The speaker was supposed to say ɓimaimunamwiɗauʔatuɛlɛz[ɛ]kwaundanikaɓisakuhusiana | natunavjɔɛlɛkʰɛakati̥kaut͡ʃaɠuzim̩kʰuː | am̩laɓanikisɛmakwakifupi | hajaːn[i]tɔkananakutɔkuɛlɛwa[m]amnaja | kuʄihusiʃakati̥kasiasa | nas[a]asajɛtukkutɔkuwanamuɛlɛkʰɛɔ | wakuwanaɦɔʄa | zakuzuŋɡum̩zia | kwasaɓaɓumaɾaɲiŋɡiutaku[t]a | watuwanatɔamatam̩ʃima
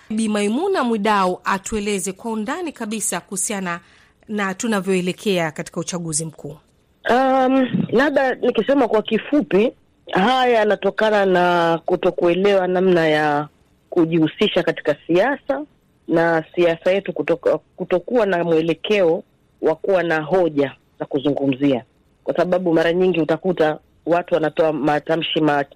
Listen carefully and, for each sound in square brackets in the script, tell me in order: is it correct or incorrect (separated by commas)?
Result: correct, incorrect, incorrect, incorrect, correct